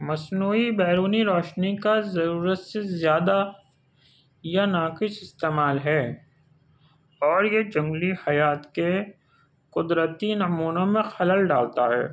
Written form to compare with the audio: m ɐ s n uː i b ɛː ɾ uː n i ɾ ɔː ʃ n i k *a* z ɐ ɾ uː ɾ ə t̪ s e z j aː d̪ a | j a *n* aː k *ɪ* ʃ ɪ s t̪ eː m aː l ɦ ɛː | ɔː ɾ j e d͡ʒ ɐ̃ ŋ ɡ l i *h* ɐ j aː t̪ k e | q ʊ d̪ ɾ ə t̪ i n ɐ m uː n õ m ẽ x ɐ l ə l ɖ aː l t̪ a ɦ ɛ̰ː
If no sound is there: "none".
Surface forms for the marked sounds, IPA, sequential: a, n, ɪ, h

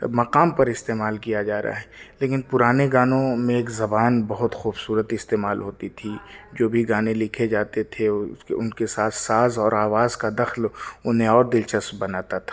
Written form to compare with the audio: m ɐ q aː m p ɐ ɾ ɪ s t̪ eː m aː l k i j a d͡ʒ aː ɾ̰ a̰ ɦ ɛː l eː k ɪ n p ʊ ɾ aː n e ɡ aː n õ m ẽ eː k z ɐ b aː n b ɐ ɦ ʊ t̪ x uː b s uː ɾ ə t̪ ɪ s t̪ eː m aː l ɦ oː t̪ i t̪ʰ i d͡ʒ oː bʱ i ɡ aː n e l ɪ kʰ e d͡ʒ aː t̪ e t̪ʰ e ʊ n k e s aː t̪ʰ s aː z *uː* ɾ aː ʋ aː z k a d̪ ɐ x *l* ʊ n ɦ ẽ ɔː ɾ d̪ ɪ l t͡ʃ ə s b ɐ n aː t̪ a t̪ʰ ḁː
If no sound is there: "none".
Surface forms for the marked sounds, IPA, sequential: ɔː, l

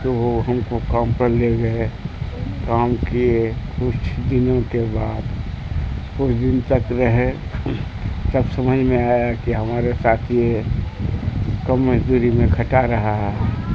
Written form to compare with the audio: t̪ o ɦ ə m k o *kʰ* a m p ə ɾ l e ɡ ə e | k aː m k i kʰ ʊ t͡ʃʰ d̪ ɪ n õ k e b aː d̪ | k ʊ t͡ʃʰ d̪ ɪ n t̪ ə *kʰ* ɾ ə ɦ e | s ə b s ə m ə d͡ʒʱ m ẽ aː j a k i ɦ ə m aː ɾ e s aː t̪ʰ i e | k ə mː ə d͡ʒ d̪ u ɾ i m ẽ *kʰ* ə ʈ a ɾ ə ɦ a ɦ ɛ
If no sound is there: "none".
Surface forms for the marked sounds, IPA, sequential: k, k, kʰ

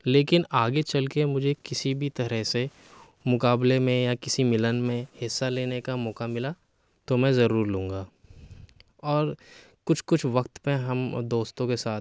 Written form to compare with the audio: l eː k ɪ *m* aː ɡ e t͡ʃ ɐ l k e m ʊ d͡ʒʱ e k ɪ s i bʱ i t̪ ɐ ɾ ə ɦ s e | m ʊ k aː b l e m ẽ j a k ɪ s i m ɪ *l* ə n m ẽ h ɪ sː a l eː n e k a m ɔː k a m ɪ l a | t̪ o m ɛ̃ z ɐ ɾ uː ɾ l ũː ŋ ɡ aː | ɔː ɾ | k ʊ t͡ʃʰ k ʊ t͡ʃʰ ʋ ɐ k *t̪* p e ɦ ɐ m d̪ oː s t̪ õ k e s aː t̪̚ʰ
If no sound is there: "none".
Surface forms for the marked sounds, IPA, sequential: n, l, t̪

